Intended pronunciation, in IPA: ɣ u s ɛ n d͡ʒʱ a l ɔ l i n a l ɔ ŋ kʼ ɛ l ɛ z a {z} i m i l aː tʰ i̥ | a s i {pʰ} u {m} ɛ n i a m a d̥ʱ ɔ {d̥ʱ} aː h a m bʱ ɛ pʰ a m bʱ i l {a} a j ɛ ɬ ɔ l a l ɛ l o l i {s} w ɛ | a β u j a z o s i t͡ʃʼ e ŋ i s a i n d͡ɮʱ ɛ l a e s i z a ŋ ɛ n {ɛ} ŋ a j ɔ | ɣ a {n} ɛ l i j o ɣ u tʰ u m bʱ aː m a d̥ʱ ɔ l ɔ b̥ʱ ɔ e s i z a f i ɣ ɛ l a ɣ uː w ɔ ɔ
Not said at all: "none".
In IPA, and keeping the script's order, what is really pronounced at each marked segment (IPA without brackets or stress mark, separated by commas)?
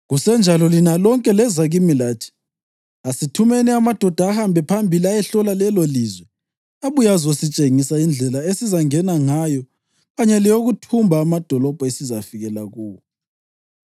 ɣ, tʰ, m, d̥ʱ, i, z, a, ɲ